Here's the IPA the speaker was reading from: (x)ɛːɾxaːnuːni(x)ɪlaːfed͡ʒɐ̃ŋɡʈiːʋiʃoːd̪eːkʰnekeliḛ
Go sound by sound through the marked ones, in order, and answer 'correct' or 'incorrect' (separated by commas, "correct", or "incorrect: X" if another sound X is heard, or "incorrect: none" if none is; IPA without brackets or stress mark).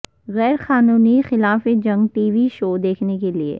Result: incorrect: ɣ, correct